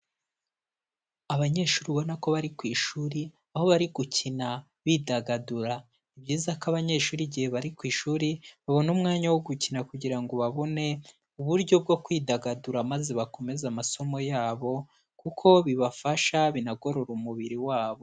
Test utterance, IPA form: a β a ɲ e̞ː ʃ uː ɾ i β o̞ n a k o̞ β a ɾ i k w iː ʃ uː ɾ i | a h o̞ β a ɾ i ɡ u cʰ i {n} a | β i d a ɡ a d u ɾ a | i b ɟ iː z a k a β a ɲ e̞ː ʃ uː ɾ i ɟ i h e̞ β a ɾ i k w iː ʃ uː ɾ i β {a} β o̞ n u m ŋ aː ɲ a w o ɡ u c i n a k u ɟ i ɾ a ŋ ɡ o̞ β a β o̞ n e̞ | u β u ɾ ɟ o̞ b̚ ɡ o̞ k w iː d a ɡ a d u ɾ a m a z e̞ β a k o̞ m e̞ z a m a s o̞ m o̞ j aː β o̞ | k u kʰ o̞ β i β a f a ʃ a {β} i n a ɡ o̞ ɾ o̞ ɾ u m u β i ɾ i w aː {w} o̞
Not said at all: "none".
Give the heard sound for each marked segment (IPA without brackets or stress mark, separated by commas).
n, a, β, β